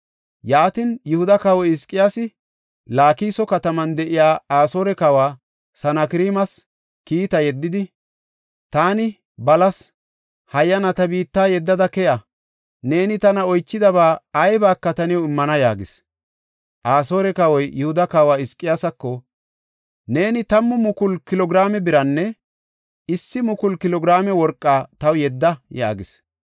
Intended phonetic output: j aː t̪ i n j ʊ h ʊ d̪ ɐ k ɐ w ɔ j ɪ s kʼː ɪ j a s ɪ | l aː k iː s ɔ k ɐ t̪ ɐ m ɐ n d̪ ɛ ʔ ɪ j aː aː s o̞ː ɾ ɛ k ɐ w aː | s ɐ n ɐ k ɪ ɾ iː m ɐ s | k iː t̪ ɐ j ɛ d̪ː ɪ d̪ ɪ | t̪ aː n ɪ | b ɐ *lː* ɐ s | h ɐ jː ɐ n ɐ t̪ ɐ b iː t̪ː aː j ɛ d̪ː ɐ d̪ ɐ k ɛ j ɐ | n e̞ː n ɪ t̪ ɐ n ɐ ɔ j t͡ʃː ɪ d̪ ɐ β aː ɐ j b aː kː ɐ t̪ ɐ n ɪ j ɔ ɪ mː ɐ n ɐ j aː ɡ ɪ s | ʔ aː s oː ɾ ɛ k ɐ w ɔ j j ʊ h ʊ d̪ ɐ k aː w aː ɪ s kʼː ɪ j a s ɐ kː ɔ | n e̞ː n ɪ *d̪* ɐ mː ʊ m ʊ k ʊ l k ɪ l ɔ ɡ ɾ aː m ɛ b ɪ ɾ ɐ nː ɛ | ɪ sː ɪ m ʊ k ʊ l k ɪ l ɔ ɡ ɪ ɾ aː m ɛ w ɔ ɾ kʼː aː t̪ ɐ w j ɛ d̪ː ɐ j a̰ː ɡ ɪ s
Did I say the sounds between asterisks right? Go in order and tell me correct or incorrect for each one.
incorrect, incorrect

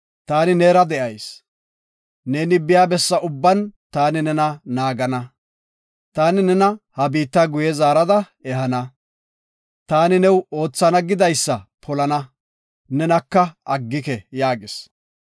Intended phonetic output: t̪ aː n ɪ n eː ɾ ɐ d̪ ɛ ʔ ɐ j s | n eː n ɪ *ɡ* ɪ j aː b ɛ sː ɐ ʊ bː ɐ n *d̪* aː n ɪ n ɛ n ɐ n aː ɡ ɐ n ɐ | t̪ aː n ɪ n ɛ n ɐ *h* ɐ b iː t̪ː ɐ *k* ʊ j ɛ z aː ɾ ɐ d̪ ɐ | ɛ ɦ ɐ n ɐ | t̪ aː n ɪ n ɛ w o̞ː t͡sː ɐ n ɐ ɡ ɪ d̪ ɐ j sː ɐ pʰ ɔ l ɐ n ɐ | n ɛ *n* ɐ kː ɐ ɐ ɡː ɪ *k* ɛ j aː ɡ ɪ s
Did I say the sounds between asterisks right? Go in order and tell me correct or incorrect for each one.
incorrect, incorrect, correct, incorrect, correct, correct

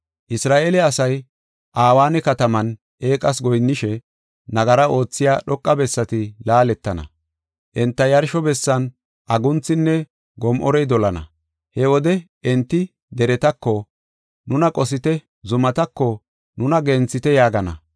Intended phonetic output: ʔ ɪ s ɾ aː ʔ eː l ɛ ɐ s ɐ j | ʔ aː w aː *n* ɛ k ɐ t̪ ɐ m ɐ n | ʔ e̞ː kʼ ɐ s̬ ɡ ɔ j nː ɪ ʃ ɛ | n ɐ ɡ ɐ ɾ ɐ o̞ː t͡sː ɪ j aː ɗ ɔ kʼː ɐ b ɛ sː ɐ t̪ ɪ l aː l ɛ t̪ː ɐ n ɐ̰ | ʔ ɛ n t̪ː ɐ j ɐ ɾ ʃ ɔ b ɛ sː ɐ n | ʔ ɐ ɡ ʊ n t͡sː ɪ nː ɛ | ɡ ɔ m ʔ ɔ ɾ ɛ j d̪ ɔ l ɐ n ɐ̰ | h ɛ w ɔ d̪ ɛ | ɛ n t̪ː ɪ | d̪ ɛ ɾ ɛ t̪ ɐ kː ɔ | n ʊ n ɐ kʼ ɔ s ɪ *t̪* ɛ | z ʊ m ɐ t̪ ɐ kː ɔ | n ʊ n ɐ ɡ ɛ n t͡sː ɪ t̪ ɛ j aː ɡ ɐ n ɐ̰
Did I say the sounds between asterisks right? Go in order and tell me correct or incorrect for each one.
correct, correct

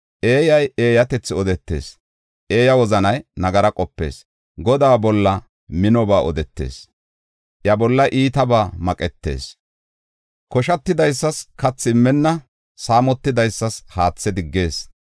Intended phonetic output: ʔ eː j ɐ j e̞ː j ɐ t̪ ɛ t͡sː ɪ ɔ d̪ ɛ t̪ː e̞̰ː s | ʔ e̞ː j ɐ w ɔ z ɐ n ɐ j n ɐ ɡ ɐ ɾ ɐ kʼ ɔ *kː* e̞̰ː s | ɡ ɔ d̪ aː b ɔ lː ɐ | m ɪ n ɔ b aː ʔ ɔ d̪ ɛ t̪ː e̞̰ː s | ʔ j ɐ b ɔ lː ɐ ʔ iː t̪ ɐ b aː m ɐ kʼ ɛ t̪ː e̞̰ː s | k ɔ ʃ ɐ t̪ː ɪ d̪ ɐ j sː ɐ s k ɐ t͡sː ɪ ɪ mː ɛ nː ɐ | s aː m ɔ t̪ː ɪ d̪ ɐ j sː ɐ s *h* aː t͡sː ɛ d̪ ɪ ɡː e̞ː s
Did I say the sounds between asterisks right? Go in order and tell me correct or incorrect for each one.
incorrect, correct

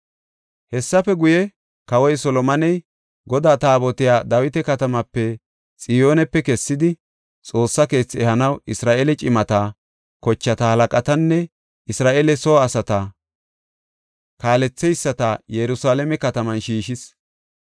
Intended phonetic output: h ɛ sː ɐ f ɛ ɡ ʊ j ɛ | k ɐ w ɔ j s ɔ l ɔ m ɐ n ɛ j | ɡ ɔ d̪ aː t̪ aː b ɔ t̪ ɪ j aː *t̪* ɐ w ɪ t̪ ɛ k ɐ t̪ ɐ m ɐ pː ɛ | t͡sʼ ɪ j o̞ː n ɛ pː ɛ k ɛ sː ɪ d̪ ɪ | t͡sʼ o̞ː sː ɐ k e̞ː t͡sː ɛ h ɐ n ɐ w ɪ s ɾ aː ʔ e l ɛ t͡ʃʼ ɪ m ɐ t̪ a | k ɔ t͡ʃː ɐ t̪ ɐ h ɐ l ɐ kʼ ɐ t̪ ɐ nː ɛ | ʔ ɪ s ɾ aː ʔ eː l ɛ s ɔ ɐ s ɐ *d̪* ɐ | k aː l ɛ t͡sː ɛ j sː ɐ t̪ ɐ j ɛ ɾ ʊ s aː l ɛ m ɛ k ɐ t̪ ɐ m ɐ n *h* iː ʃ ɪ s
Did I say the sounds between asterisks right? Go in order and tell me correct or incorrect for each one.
incorrect, incorrect, incorrect

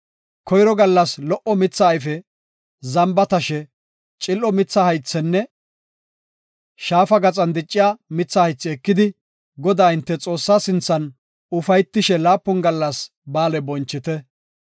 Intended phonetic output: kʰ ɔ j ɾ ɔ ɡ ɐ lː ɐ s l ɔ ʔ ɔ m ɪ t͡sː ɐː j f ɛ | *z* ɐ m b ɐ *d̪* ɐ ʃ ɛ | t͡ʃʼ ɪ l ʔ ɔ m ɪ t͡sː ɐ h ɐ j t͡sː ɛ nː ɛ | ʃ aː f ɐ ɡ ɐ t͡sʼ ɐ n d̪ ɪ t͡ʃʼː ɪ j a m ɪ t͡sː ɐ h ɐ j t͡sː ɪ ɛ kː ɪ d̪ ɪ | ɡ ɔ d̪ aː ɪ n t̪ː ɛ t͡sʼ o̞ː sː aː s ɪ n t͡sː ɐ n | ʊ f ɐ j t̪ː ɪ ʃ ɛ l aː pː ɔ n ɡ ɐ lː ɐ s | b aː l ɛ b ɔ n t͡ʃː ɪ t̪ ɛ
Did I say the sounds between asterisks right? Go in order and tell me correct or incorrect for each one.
correct, incorrect

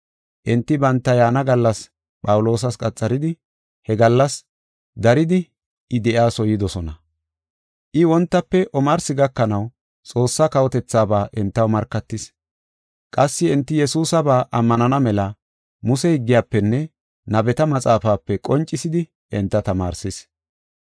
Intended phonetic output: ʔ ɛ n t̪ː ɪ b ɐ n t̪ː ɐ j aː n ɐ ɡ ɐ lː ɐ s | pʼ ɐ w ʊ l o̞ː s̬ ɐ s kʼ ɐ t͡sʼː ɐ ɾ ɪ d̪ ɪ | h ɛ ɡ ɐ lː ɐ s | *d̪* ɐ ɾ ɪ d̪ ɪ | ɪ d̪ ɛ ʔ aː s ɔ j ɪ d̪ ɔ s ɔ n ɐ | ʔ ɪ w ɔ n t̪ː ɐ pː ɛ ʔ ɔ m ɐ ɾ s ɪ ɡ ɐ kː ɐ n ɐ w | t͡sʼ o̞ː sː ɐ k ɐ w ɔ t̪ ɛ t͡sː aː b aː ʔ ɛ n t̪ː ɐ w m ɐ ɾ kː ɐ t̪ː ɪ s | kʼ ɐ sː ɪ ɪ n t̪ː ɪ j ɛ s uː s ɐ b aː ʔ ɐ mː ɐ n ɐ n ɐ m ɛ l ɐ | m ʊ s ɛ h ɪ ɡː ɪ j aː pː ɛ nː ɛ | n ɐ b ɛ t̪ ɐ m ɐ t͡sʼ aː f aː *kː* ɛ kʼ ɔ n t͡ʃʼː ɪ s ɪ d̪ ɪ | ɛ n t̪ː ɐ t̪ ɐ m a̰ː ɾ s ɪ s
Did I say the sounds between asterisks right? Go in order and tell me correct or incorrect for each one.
correct, incorrect

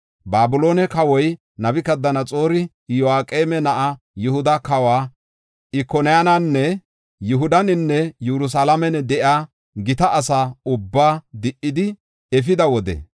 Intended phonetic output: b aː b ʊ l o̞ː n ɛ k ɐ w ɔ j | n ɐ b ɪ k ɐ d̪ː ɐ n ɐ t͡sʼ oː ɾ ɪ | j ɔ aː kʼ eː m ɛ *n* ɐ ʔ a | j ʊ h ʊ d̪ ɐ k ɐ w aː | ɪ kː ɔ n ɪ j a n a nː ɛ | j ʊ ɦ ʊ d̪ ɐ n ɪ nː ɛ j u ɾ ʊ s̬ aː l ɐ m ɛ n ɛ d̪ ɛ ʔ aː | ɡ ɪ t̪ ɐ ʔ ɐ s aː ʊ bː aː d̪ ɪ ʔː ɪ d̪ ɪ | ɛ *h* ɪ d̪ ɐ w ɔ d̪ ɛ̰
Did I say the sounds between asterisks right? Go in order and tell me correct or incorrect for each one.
correct, incorrect

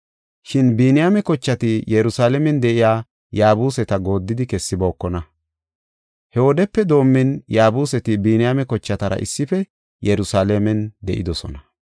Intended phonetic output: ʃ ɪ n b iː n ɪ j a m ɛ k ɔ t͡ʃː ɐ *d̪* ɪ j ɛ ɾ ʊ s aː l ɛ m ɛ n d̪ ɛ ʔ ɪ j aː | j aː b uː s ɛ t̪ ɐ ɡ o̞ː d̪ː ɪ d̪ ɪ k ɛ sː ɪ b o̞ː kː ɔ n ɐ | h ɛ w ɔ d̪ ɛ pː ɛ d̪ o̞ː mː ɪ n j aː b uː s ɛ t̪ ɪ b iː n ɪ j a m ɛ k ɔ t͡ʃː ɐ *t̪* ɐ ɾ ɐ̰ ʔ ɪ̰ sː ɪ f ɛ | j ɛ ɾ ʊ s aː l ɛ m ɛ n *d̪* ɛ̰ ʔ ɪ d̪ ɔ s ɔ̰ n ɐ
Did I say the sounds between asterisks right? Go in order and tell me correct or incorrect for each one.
incorrect, correct, correct

